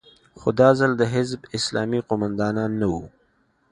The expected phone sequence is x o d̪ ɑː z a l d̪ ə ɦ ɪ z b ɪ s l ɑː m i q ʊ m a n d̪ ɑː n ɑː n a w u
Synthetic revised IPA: x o d̪ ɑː z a l d̪ ə ɦ ɪ z b ɪ s l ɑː m i q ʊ m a n d̪ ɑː n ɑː nː a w u